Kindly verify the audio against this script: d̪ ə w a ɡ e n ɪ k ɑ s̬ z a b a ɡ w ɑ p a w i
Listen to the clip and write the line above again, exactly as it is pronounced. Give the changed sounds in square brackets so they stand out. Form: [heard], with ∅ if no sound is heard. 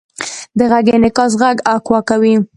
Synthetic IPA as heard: d̪ ə [ɣ] a ɡ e n ɪ k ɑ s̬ [ɣ] a [ɡ] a [k] w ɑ [k] a w i